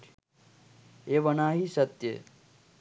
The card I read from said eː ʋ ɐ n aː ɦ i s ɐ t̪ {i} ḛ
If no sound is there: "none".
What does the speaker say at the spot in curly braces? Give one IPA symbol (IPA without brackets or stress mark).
j